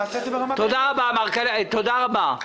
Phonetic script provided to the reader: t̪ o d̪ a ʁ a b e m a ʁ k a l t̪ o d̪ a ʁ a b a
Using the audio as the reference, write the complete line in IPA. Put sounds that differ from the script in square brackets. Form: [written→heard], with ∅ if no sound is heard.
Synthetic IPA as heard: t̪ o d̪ a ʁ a b [e→a] m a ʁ k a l t̪ o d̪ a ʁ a b a